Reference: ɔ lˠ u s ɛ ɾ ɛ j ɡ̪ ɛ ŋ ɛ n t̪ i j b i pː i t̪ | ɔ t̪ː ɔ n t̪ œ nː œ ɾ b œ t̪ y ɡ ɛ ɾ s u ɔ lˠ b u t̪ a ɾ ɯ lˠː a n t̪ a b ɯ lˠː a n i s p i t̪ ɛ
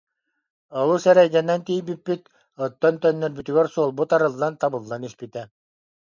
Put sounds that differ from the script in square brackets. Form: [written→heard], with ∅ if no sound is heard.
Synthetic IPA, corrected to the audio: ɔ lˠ u s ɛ ɾ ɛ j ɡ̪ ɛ [ŋ→n] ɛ n t̪ i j b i pː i t̪ | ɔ t̪ː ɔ n t̪ œ nː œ ɾ b [œ→y] t̪ y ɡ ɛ ɾ s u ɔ lˠ b u t̪ a ɾ ɯ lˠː a n t̪ a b ɯ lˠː a n i s p i t̪ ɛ